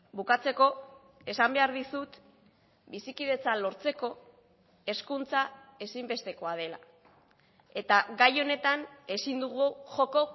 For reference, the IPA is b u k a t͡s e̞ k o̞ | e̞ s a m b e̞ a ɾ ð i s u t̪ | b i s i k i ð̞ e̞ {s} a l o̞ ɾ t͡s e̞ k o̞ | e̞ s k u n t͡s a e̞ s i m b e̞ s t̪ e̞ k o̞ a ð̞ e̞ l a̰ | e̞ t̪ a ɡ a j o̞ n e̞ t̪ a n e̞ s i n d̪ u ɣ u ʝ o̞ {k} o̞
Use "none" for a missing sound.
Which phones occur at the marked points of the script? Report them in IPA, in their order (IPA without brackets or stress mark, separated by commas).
t͡s, k